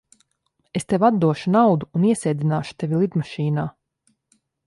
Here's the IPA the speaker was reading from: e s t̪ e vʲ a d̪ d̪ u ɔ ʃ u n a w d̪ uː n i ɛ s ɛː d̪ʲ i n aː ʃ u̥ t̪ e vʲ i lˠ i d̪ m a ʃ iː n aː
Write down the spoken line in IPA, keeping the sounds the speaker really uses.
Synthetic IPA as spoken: e s t̪ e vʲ a d̪ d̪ u ɔ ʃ u n a w d̪ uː n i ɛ s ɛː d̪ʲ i n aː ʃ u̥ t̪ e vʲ i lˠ i d̪ m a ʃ iː n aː